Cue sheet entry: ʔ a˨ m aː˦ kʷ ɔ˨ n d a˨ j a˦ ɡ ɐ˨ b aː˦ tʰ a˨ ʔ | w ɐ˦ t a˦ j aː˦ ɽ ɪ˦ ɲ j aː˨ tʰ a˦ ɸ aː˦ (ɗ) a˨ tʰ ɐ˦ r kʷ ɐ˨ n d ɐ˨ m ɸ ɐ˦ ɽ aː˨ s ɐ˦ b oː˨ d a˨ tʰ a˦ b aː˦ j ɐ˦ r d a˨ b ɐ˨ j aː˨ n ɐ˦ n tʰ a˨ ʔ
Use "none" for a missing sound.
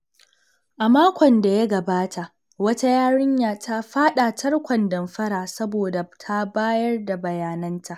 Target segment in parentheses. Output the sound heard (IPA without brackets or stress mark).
ɗ